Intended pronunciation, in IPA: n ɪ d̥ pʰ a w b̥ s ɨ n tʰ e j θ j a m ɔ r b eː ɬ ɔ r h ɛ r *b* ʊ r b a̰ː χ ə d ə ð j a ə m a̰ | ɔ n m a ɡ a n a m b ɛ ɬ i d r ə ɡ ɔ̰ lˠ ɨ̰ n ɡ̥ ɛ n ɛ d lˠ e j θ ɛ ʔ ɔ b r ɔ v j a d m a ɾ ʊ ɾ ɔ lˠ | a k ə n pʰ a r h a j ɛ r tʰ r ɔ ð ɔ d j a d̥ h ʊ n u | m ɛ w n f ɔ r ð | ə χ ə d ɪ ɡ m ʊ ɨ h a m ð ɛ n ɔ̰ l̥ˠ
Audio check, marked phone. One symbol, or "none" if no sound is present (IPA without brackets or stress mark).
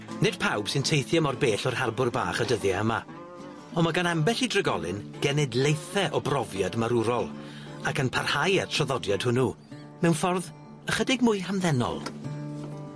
b